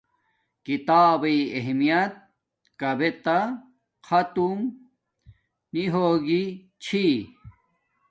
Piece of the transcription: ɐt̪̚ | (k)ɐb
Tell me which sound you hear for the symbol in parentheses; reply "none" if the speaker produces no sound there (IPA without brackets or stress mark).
k